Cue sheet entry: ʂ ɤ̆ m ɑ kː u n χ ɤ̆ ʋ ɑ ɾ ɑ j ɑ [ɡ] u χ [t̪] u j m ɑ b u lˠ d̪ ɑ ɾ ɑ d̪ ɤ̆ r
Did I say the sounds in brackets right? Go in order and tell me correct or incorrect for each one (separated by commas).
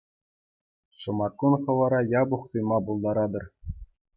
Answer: incorrect, correct